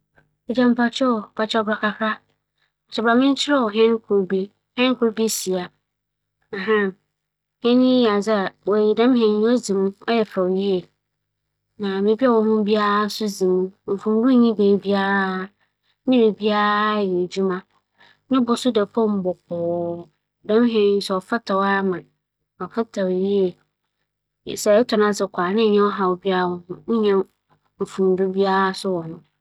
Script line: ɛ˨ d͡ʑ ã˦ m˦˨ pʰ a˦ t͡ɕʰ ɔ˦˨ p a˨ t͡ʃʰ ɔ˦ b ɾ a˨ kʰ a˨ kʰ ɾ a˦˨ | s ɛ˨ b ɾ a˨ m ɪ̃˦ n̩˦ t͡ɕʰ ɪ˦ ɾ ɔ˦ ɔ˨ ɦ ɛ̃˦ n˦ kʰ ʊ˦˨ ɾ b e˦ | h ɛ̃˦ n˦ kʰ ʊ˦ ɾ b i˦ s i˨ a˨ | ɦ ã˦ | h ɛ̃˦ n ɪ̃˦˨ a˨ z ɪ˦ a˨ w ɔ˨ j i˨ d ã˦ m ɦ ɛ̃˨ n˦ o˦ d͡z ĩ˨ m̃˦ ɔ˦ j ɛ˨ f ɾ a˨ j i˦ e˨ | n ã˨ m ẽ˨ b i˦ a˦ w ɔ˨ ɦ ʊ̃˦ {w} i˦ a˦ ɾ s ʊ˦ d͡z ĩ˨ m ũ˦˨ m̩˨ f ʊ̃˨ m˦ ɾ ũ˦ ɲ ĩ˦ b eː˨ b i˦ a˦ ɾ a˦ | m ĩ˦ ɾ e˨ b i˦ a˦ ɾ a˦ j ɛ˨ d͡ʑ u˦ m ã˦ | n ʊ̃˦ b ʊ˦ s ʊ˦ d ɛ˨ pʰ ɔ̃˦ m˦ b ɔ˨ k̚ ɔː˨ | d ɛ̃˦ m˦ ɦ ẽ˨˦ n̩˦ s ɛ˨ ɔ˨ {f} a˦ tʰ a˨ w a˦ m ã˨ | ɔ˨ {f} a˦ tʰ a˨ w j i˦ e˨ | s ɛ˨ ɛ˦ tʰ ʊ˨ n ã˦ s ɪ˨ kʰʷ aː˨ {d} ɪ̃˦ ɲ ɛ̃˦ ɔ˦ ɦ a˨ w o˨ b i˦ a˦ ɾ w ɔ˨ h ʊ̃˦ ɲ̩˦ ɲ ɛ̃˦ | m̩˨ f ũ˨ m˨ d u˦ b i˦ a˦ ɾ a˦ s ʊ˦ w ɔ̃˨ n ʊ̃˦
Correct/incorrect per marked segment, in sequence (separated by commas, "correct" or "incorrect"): incorrect, correct, correct, incorrect